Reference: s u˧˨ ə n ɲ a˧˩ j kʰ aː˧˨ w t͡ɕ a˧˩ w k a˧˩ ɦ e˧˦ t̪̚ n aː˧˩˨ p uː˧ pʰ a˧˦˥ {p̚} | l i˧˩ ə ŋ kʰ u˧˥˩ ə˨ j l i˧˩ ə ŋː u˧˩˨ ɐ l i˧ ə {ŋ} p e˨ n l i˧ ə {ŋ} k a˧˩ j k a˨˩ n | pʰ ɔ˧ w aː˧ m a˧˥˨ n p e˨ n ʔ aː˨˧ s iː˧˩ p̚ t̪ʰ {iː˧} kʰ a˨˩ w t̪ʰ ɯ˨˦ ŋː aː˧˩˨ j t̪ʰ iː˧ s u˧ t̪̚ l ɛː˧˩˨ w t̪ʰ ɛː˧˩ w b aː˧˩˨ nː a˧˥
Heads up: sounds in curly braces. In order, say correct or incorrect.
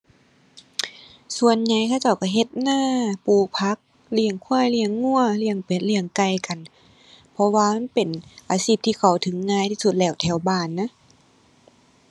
incorrect, correct, correct, correct

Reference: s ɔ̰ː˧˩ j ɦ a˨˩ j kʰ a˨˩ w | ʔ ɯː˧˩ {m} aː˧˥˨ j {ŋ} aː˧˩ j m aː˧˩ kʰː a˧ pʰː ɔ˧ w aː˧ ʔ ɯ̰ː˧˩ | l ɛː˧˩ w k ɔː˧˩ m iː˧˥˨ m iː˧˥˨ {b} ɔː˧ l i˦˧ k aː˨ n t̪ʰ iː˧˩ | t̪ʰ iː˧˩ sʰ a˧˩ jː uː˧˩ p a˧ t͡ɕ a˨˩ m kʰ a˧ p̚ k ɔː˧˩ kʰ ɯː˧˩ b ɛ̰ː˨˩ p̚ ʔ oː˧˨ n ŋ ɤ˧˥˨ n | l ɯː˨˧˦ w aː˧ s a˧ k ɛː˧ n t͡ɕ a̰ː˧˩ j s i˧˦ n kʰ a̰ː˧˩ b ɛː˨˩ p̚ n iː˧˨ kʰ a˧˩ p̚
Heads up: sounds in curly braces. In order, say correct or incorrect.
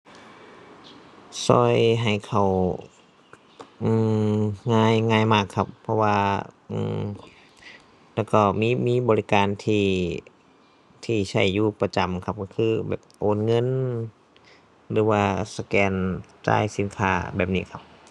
incorrect, correct, correct

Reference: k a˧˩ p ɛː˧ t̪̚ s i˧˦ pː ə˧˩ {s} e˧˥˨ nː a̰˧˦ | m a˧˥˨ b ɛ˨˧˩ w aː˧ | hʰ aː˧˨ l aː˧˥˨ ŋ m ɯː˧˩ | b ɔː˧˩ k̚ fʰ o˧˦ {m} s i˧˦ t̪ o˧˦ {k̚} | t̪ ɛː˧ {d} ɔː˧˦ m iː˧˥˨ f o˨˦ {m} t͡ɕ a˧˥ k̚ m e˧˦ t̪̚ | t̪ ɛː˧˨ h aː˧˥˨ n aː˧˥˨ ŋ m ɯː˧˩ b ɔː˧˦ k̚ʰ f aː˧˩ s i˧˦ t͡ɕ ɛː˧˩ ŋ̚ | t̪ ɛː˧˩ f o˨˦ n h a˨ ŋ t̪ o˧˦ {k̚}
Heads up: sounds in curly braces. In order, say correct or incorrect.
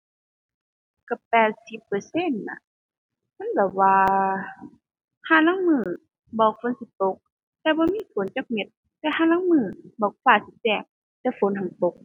correct, incorrect, correct, incorrect, incorrect, correct

